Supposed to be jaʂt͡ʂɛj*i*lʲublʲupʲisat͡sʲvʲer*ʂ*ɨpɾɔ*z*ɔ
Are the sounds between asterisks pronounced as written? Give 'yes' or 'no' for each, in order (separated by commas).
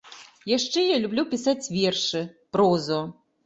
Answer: no, yes, yes